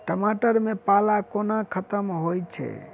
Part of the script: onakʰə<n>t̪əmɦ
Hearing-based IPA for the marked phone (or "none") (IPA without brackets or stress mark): none